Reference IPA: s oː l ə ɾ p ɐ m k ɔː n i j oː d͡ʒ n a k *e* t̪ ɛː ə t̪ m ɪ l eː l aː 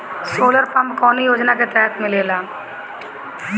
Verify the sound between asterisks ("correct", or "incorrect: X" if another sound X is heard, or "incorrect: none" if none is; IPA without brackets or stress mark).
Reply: correct